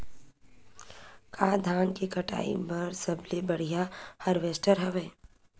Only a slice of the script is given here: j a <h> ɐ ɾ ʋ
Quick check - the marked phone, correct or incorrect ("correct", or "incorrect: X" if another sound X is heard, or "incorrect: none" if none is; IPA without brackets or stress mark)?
correct